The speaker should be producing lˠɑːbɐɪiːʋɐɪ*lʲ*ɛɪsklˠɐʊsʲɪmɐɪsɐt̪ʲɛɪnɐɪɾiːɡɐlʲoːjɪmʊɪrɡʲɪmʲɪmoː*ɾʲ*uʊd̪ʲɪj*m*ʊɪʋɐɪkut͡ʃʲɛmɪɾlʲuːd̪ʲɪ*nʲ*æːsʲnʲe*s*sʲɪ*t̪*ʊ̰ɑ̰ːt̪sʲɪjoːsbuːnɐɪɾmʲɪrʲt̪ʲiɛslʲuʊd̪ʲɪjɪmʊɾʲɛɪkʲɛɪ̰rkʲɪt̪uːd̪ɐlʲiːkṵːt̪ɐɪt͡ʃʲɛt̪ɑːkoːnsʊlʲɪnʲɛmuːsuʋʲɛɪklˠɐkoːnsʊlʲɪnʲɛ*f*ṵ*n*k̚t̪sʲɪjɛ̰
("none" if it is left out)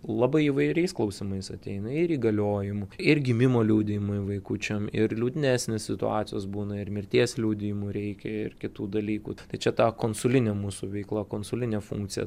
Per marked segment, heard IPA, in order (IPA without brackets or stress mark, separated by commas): ɾʲ, lʲ, m, nʲ, s, t̪, f, ŋ